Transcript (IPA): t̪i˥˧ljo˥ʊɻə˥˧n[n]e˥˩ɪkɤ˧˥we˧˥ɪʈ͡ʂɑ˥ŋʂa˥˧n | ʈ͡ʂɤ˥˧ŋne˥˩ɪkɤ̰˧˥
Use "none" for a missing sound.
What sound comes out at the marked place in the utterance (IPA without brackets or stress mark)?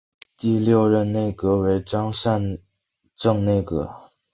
n